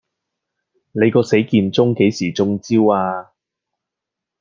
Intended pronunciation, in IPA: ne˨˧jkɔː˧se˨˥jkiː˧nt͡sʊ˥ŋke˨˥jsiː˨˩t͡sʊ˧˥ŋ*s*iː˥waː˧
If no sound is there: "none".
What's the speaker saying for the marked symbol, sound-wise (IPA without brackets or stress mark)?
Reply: t͡s